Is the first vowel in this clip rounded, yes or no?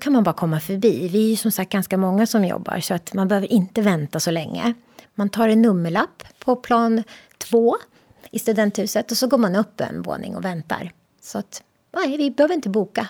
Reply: no